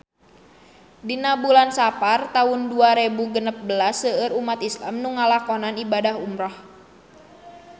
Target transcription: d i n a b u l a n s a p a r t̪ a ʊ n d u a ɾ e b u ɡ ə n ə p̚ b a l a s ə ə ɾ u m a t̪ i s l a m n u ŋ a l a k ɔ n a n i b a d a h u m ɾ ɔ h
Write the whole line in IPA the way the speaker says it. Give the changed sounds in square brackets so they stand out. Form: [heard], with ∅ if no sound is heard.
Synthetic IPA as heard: d i n a b u l a n s a p a r t̪ a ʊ n d u a ɾ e b u ɡ ə n ə p̚ b [ə] l a s ə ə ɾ u m a t̪ i s l a m n u ŋ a l a k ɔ n a n i b a d a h u m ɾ ɔ h